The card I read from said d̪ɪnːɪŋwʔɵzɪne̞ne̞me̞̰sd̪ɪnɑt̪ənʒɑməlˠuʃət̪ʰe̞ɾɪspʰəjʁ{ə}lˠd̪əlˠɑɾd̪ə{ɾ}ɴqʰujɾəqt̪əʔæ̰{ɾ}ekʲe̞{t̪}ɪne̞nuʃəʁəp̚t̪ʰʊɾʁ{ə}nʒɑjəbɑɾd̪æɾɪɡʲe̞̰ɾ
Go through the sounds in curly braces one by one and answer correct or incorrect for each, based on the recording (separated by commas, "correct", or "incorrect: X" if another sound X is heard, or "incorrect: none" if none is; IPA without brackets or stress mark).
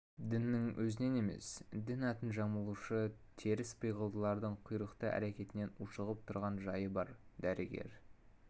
correct, incorrect: none, correct, correct, incorrect: ɑ